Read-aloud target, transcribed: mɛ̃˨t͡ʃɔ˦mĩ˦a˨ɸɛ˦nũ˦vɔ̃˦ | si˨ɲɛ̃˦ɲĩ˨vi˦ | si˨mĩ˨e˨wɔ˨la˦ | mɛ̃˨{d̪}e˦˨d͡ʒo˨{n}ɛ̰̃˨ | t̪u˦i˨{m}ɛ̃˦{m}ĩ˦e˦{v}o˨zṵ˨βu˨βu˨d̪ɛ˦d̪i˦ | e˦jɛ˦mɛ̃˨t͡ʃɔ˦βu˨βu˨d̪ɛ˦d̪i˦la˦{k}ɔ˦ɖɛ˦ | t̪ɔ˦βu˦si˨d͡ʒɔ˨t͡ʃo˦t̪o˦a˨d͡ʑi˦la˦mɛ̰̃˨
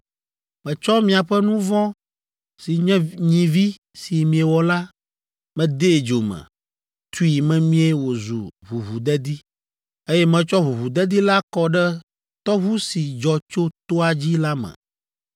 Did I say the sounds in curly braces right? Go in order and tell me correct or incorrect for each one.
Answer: correct, incorrect: m, correct, correct, incorrect: w, correct

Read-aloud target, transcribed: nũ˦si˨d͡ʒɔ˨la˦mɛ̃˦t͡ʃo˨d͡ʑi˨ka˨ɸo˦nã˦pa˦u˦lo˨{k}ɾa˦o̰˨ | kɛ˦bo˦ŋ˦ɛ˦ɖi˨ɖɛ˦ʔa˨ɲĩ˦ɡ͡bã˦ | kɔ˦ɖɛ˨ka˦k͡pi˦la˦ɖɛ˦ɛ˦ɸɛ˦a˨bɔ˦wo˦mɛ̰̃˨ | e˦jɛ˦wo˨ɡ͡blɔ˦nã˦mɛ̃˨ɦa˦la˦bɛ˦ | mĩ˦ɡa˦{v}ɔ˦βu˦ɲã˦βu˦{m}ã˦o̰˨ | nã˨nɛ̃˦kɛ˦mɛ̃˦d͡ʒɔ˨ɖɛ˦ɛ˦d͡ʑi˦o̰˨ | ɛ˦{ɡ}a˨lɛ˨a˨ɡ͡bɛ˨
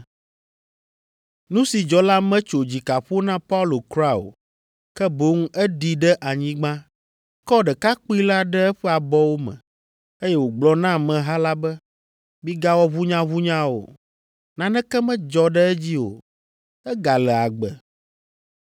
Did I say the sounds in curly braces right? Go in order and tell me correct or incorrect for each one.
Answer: correct, incorrect: w, incorrect: ɲ, correct

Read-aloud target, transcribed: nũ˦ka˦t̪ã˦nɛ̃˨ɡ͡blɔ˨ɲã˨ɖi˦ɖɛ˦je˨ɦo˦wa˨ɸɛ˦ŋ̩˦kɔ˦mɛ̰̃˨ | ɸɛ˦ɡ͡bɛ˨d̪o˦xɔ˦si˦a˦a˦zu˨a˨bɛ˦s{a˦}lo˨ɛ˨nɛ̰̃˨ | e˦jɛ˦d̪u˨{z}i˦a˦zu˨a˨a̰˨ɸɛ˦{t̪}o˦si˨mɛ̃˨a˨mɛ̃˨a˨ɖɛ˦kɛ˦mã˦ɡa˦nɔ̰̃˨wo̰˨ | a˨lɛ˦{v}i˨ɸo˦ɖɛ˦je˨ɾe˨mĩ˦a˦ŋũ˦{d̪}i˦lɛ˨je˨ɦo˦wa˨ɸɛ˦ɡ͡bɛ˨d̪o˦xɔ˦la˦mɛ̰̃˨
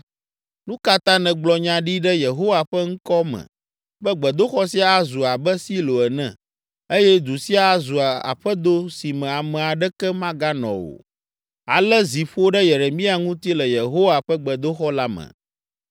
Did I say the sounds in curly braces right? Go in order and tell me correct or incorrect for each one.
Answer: incorrect: i˦, incorrect: s, incorrect: d̪, incorrect: z, incorrect: t̪

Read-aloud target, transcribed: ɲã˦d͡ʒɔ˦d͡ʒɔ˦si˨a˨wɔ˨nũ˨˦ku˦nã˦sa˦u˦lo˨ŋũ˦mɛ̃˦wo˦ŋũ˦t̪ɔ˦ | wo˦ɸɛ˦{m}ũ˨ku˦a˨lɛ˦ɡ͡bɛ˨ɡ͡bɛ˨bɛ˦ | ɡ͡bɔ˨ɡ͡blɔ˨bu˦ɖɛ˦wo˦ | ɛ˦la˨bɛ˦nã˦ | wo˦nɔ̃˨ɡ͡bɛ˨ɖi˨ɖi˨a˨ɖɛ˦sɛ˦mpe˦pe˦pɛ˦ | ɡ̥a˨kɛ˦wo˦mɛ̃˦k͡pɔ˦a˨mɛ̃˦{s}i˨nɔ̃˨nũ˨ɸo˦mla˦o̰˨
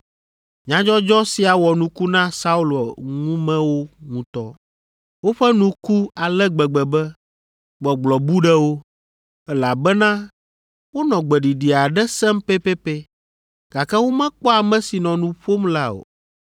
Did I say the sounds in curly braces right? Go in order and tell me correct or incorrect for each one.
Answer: incorrect: n, correct

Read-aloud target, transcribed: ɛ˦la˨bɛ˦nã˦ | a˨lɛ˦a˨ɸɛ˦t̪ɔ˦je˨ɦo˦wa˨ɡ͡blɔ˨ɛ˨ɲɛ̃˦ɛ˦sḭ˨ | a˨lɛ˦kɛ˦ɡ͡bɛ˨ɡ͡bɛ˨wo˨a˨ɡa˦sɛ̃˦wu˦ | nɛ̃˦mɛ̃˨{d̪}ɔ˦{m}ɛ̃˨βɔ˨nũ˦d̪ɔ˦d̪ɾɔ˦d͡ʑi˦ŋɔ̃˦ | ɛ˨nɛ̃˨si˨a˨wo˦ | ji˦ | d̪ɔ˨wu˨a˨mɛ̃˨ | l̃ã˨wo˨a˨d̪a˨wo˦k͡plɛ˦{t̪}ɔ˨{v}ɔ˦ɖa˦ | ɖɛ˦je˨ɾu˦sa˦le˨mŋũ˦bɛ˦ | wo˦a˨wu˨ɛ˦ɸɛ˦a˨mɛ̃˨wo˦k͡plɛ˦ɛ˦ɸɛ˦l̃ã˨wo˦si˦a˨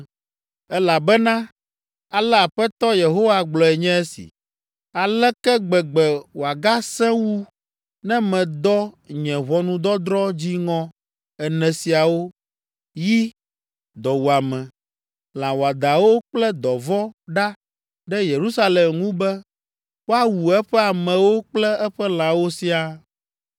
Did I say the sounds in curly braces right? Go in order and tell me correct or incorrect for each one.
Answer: correct, incorrect: ɲ, incorrect: d̪, correct

